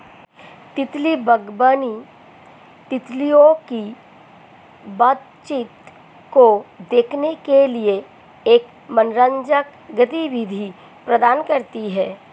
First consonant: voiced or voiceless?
voiceless